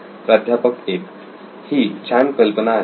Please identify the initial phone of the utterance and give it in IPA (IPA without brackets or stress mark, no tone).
p